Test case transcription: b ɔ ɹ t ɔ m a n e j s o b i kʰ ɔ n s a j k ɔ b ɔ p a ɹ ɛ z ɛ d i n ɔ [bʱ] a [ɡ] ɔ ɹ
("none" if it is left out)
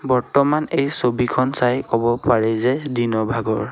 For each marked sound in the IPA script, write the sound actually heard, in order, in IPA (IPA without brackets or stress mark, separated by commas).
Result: bʱ, ɡ